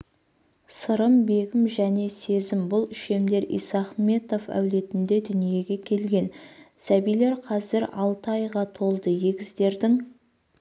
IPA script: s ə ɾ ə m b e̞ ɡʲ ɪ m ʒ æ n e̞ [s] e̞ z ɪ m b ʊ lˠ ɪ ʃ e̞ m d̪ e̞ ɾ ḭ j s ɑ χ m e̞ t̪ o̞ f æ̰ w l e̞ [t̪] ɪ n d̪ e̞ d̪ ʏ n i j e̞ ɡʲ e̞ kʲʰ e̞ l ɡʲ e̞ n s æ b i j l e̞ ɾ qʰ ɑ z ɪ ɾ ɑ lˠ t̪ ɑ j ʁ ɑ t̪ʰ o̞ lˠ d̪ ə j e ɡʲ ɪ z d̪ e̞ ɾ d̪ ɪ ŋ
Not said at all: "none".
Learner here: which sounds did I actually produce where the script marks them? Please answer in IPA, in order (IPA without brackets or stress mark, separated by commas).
s, t̪